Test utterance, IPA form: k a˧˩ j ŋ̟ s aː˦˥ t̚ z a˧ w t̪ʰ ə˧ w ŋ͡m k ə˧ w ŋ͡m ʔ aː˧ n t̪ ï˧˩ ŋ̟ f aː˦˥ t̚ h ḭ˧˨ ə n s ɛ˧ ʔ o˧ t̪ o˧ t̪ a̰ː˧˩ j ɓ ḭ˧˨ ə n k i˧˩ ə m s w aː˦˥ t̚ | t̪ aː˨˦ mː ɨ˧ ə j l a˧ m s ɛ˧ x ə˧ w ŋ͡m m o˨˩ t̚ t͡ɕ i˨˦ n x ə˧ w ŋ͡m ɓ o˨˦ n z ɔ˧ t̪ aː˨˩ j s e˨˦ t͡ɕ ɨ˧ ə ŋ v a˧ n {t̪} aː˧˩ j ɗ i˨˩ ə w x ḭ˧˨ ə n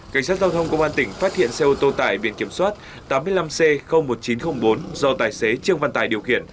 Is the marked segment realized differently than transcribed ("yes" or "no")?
no